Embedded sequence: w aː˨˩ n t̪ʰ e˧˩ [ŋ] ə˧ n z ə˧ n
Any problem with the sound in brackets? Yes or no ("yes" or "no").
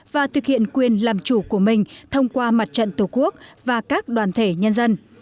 yes